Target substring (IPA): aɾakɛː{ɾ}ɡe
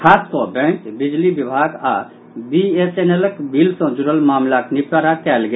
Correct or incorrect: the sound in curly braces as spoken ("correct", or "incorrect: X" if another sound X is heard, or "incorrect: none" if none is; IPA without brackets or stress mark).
incorrect: l